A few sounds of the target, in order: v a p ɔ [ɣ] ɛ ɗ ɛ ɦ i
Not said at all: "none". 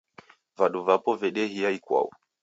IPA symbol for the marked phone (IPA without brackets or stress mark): v